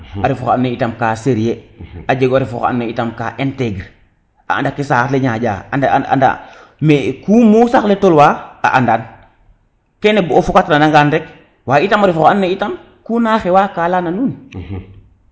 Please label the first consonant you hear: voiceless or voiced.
voiced